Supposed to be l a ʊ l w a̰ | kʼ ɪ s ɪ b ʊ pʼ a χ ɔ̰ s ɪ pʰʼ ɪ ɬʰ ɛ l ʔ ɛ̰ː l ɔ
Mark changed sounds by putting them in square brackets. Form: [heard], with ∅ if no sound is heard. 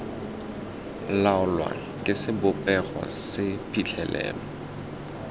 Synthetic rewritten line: l a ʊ l w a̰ | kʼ ɪ s ɪ b ʊ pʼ [ɛ] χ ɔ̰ s ɪ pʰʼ [i] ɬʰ ɛ l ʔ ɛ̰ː l ɔ